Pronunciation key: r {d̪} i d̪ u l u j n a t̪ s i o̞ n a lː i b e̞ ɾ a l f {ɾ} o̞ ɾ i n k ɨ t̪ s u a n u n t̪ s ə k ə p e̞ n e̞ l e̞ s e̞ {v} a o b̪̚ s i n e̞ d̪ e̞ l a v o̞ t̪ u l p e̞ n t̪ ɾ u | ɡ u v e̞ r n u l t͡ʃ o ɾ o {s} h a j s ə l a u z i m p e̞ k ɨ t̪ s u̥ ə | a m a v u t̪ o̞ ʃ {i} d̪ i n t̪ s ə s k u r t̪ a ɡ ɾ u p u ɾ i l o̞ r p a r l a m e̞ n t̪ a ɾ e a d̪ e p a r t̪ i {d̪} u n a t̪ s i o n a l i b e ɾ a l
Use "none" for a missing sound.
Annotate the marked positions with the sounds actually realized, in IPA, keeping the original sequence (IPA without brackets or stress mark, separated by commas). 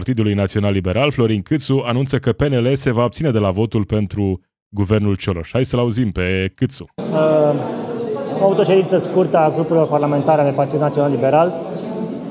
t̪, l, v, ʃ, e, d̪